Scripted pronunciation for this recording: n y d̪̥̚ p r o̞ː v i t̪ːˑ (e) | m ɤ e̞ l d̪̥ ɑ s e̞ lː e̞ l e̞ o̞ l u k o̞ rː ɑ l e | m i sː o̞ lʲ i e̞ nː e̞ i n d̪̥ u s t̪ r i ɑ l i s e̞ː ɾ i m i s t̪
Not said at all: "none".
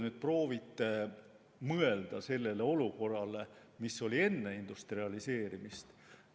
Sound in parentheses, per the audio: e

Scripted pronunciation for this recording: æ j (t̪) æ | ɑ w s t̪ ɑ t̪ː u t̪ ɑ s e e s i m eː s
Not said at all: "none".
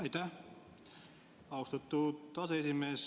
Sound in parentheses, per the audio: t̪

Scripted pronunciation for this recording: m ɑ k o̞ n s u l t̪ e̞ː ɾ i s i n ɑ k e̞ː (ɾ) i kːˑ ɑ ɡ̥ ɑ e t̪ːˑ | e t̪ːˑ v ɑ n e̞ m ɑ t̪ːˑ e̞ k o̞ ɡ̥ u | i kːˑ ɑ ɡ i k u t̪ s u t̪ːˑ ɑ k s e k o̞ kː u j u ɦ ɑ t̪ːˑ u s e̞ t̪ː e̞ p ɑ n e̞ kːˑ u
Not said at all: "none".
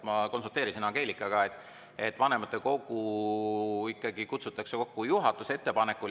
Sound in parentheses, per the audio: l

